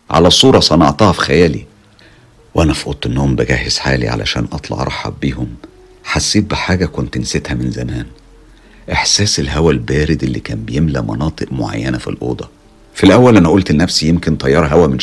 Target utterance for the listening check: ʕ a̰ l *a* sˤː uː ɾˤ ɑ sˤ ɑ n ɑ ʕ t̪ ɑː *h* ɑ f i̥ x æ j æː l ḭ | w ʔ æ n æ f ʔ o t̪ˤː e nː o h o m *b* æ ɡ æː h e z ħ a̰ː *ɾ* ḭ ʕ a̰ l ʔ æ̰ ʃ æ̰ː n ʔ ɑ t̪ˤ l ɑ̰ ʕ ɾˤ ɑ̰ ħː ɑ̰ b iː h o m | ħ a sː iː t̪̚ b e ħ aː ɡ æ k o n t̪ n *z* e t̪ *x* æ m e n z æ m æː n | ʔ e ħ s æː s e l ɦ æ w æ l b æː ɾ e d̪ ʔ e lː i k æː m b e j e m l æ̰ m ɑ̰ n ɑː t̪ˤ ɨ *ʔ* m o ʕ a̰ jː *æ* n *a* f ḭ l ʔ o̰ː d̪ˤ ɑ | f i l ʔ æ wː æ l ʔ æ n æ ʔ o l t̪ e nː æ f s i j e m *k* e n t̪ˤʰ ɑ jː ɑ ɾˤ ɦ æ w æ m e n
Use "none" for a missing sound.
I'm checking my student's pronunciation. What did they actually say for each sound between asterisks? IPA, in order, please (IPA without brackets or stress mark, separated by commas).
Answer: æ, h, b, l, s, h, ʔ, æ, æ, k